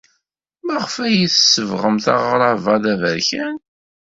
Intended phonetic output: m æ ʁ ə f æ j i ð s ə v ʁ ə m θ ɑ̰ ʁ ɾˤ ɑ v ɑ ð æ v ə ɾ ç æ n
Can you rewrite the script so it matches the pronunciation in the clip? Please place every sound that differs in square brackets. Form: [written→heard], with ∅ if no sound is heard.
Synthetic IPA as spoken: m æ ʁ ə f æ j i [ð→θ] s ə v ʁ ə m θ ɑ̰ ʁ ɾˤ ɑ v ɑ ð æ v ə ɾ ç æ n

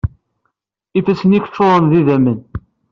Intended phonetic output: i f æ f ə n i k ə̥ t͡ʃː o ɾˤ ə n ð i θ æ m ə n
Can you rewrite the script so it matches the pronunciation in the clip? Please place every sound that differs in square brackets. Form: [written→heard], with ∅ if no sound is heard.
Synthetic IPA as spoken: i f æ [f→s] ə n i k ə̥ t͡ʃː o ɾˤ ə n ð i [θ→ð] æ m ə n

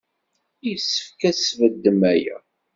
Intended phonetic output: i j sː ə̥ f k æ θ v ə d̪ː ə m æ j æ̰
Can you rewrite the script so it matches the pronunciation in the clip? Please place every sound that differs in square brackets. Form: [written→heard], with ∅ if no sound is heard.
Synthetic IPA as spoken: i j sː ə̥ f k æ [θ→s] v ə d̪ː ə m æ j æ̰

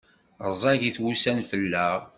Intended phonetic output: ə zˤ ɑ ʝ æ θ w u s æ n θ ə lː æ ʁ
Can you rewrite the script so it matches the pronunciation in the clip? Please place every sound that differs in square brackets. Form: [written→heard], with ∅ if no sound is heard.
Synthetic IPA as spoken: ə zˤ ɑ ʝ [æ→i] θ w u s æ n [θ→f] ə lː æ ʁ

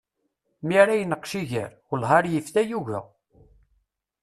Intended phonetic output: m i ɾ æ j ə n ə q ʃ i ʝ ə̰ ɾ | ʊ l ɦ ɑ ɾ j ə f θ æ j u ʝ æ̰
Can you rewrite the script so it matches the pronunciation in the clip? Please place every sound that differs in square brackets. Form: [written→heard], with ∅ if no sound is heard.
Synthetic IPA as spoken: m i ɾ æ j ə n ə q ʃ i ʝ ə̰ ɾ | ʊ l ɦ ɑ ɾ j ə f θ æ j u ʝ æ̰

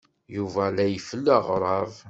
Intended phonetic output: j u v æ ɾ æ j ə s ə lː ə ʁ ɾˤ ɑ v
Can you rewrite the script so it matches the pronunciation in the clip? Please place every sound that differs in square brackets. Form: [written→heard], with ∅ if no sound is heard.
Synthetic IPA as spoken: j u v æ [ɾ→l] æ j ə [s→f] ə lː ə ʁ ɾˤ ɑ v

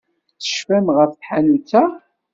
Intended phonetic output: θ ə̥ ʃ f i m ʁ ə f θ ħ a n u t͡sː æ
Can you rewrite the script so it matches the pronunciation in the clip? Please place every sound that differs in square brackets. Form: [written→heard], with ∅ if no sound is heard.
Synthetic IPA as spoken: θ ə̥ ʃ f [i→æ] m ʁ ə f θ ħ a n u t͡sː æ

